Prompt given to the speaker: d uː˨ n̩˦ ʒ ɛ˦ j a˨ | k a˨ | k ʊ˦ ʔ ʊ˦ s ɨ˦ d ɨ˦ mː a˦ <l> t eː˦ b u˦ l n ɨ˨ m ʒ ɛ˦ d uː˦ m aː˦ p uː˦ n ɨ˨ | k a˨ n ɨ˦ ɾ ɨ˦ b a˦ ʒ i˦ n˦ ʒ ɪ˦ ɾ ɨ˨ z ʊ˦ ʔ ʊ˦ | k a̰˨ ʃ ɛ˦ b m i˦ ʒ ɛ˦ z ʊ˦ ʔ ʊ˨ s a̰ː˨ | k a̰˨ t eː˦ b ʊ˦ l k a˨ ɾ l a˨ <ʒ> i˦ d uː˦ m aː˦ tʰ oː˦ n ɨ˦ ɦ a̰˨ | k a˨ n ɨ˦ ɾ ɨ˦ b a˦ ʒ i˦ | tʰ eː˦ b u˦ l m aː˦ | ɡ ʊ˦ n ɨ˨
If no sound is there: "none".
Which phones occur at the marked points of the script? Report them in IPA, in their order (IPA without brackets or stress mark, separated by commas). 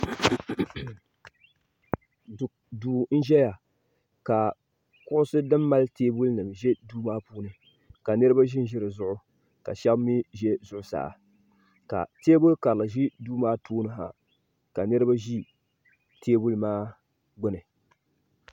l, ʒ